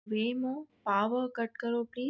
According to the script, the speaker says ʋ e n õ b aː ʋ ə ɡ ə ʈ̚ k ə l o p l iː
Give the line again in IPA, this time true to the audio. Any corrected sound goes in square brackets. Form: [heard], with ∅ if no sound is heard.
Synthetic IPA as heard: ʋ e [m] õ [p] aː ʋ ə [k] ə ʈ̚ k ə [ɾ] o p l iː